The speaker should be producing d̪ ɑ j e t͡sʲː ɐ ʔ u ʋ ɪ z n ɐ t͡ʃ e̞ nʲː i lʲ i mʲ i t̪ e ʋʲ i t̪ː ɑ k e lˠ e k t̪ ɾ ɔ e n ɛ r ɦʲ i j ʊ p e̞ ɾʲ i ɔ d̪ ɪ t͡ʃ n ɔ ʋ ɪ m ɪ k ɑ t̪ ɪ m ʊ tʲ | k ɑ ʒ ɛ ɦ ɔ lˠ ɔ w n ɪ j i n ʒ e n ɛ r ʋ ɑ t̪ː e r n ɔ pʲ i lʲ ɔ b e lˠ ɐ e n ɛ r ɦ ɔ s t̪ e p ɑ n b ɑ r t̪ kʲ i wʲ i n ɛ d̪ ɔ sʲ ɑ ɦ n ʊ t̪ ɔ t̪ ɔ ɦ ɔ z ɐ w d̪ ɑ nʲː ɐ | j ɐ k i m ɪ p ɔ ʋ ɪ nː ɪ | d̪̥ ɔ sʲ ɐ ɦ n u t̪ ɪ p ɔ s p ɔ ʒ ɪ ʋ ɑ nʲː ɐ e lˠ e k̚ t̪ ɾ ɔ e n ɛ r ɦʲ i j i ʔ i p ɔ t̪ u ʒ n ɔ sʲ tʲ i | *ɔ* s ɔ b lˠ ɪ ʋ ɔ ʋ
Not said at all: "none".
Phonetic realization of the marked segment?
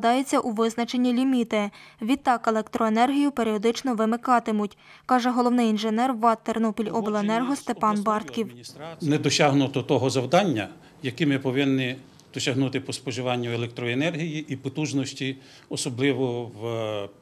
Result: ɔ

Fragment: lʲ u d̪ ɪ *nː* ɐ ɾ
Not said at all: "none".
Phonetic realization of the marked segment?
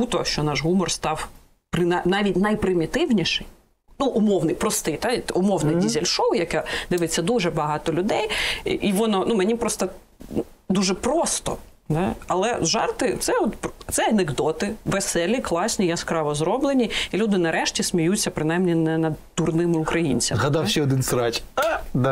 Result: n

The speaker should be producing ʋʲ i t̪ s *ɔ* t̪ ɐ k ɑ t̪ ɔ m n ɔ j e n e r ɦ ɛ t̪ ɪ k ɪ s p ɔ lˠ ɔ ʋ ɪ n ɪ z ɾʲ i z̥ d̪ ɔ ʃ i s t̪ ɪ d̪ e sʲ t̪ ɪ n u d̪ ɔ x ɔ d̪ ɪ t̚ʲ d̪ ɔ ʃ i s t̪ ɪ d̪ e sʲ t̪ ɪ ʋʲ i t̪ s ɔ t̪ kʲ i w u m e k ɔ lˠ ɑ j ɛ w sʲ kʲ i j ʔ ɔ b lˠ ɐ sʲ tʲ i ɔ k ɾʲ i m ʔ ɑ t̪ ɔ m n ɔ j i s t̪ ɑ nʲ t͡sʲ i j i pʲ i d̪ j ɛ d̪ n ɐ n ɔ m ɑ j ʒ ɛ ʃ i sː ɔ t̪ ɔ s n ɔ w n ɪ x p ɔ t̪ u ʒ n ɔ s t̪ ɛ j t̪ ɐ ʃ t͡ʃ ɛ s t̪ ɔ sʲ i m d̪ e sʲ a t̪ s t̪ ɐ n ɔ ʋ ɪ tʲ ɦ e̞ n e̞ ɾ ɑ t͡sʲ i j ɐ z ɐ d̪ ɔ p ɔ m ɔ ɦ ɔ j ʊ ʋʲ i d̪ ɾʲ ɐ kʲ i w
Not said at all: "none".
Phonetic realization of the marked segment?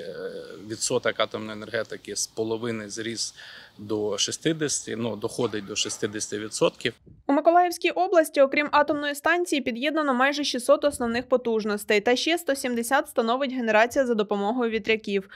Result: ɔ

